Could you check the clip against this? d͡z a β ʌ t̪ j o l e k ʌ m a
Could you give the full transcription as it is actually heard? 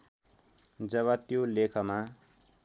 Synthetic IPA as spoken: d͡z ʌ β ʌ t̪ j o l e kʰ ʌ m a